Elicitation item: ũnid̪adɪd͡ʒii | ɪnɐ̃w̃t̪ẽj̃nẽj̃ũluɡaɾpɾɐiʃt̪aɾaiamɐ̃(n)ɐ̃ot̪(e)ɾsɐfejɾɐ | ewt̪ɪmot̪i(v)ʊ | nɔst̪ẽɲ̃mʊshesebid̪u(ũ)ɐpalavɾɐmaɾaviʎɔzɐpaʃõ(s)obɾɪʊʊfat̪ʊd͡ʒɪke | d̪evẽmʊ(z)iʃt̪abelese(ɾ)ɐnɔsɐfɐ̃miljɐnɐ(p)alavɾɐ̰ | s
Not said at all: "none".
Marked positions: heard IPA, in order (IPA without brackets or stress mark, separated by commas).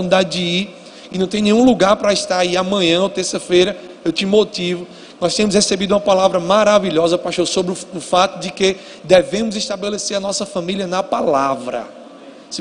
ɲ, e, v, ũ, s, z, ɾ, p